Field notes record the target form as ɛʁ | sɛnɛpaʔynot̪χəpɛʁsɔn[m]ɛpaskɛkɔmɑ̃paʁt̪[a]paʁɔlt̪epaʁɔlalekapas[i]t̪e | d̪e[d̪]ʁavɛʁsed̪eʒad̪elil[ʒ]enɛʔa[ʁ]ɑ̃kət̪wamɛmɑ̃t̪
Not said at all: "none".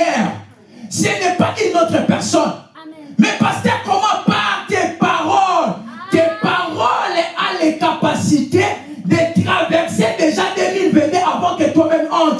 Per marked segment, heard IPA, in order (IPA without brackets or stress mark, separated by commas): m, e, i, t̪, v, v